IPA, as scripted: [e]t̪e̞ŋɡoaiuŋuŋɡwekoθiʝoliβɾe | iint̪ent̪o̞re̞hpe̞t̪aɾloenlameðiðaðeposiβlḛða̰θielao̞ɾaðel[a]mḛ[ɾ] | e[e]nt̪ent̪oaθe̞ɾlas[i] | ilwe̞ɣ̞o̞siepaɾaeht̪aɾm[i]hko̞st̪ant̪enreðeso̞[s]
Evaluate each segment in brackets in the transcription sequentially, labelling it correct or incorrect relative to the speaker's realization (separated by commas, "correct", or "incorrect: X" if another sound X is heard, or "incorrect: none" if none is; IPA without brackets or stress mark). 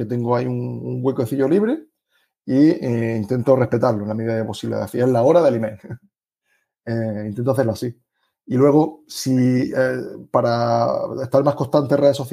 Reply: correct, incorrect: i, incorrect: l, incorrect: i, correct, incorrect: a, incorrect: θ